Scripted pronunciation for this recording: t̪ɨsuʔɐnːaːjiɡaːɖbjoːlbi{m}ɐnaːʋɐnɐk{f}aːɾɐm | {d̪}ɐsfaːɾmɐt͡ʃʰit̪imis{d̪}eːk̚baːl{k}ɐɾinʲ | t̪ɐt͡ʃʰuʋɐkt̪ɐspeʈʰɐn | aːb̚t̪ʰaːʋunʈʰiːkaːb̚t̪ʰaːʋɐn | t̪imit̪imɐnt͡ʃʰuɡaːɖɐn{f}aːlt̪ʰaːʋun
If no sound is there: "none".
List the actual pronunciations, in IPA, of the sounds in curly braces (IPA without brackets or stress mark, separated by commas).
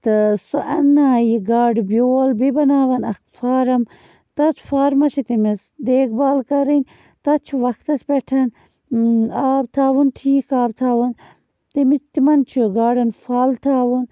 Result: b, f, t̪, d̪, k, f